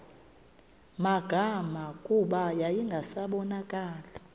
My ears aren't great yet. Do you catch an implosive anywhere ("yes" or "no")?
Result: yes